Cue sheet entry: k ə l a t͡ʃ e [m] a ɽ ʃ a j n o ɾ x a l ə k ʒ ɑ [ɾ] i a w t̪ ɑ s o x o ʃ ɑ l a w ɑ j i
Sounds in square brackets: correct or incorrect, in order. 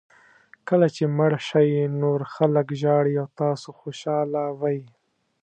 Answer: correct, incorrect

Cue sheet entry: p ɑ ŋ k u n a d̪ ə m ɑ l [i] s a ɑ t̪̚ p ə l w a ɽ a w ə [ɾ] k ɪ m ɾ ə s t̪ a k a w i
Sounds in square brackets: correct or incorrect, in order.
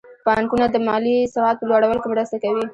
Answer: correct, incorrect

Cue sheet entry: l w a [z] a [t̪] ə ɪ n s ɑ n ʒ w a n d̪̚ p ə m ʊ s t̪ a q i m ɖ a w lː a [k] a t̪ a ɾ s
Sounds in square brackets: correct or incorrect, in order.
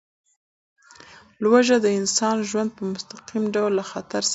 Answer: incorrect, incorrect, incorrect

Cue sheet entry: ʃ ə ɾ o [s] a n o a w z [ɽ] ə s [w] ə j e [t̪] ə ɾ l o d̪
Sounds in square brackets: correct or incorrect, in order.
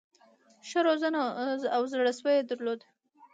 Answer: incorrect, correct, correct, incorrect

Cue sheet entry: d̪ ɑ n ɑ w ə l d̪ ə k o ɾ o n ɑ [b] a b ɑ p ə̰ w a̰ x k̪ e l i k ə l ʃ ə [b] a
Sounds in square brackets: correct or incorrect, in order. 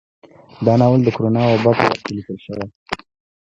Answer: incorrect, incorrect

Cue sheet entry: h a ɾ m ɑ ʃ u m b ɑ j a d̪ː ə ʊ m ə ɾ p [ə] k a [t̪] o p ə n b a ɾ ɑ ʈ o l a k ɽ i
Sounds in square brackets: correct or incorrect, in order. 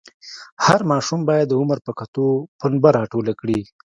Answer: correct, correct

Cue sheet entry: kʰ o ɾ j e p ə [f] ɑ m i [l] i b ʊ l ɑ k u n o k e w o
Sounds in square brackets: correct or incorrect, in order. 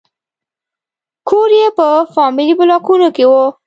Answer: correct, correct

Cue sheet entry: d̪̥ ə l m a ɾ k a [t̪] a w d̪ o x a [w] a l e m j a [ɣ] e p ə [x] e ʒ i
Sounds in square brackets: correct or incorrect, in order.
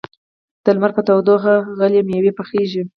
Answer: correct, incorrect, incorrect, correct

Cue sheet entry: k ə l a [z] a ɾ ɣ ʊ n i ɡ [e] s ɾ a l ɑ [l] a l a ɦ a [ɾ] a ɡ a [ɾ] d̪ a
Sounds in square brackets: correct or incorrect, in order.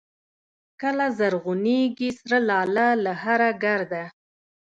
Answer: correct, incorrect, correct, correct, correct

